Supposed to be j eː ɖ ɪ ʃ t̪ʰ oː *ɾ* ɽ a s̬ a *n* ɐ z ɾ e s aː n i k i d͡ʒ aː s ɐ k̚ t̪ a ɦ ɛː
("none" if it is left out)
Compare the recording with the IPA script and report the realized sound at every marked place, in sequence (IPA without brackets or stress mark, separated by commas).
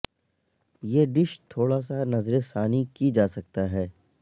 none, n